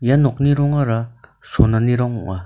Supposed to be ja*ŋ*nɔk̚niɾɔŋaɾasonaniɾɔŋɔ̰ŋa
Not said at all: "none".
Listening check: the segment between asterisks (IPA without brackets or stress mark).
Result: none